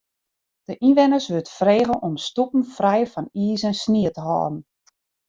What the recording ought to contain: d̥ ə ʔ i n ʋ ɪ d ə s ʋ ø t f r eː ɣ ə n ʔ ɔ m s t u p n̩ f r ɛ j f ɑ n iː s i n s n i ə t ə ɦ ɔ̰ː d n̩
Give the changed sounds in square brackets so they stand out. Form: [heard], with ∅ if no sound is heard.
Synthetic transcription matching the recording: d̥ ə ʔ i n ʋ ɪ [n] ə s ʋ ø t f r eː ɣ ə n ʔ ɔ m s t u p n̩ f r ɛ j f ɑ n iː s [ɛ] n s n i ə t ə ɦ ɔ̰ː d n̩